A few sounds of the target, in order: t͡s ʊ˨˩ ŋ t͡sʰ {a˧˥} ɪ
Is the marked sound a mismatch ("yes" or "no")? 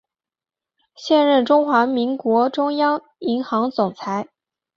no